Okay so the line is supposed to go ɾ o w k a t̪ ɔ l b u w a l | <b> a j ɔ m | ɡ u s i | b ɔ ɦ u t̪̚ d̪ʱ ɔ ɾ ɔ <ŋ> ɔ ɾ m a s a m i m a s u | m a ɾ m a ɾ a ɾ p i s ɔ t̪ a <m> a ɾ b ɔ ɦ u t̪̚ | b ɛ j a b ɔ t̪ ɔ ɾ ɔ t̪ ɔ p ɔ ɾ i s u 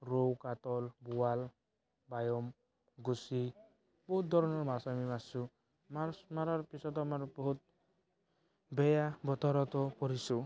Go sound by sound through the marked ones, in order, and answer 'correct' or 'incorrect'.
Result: correct, incorrect: n, correct

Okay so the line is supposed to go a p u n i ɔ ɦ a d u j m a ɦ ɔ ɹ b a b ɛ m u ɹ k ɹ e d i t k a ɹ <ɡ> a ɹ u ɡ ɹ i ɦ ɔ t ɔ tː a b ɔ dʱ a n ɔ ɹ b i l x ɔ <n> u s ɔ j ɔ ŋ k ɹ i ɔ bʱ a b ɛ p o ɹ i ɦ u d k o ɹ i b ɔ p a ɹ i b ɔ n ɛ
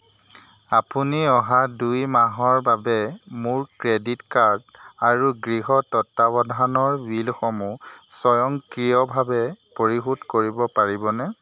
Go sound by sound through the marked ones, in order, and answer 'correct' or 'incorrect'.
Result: incorrect: d, incorrect: m

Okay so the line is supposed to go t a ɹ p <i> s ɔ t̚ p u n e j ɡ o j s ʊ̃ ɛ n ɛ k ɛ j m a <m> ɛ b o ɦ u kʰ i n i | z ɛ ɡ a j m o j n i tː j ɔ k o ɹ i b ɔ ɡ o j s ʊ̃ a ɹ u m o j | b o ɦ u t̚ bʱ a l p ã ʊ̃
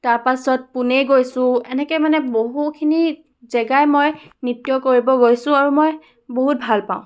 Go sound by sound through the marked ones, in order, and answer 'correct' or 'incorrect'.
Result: incorrect: a, incorrect: n

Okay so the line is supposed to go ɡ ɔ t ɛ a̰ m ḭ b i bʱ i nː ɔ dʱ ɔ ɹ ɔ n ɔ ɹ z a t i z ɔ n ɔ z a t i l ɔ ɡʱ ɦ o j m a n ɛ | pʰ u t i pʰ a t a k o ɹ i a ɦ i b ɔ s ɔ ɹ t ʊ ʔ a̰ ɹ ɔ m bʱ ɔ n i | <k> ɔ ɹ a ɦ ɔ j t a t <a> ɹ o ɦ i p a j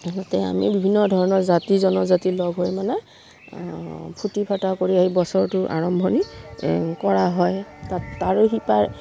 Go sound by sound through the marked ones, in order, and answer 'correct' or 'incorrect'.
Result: correct, correct

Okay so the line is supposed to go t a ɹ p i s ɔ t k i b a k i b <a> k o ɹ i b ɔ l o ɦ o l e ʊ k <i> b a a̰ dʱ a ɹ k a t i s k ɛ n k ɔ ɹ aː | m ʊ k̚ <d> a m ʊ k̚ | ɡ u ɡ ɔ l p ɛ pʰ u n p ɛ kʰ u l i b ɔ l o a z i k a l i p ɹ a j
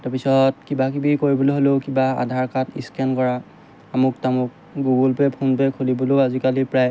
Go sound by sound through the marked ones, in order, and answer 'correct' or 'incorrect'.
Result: incorrect: i, correct, incorrect: t

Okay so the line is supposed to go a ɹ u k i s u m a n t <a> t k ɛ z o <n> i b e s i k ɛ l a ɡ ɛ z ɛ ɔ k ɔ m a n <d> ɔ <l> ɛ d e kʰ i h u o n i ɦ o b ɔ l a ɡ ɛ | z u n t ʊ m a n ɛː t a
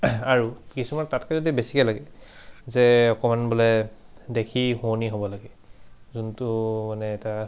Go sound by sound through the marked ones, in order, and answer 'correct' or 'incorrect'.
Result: correct, incorrect: d, incorrect: b, correct

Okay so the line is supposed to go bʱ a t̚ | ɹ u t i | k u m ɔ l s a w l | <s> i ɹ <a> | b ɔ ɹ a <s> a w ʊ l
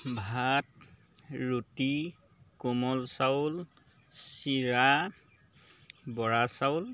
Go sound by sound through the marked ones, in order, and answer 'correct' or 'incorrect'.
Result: correct, correct, correct

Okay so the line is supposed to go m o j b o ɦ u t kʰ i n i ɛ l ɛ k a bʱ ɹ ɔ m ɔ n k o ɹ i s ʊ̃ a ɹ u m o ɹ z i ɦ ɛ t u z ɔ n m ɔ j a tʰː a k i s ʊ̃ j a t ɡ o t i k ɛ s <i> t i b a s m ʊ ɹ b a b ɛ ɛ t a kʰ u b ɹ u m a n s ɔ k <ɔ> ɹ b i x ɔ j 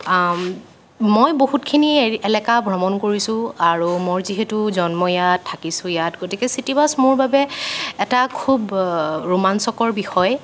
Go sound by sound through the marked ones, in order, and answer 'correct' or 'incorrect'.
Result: correct, correct

